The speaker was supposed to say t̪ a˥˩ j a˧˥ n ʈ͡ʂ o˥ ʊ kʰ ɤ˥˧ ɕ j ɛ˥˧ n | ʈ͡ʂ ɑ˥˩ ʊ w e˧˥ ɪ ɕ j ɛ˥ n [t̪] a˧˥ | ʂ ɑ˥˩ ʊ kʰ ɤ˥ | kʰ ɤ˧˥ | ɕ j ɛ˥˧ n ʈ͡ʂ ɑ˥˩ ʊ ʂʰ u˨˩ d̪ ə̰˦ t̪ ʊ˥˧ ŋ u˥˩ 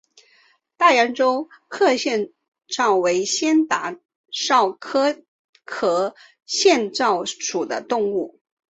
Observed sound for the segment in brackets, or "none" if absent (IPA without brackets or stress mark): t̪